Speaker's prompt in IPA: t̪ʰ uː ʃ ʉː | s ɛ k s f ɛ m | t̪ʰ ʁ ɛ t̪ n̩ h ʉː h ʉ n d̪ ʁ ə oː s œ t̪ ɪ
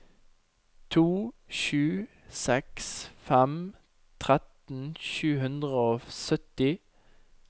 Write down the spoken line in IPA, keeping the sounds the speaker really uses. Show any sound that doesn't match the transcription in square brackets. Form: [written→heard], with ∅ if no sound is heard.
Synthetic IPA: t̪ʰ uː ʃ ʉː | s ɛ k s f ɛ m | t̪ʰ ʁ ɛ t̪ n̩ [h→ʃ] ʉː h ʉ n d̪ ʁ ə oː s œ t̪ ɪ